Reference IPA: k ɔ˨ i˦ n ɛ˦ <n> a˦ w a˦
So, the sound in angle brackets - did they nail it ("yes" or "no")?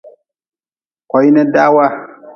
no